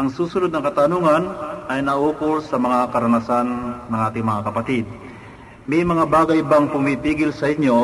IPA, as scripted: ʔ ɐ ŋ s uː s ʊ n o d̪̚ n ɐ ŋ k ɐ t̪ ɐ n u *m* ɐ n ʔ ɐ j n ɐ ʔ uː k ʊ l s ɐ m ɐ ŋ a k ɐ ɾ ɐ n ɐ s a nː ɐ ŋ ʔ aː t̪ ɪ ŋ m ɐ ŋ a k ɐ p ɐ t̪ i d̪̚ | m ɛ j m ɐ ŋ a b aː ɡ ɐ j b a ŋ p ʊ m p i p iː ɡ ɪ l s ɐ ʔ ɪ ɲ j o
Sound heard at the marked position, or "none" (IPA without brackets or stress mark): ŋ